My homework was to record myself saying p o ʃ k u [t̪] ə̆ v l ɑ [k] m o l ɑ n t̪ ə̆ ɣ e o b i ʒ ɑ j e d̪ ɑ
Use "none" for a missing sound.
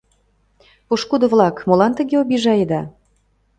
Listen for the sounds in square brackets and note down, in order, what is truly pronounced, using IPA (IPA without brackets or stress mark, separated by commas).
d̪, k